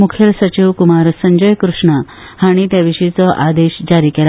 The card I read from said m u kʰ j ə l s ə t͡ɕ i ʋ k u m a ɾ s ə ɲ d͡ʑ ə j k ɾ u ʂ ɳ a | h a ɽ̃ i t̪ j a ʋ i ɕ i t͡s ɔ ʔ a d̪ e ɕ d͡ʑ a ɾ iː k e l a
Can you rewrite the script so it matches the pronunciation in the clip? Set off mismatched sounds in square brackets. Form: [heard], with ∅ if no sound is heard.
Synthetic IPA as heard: m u kʰ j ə l s ə t͡ɕ i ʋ k u m a ɾ s ə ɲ d͡ʑ ə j k ɾ u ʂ ɳ a | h a ɽ̃ i t̪ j a ʋ i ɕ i t͡s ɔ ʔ a d̪ e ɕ d͡ʑ a ɾ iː k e l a